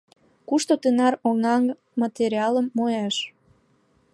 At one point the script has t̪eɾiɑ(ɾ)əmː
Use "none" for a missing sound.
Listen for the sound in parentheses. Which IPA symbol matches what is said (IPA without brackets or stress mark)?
l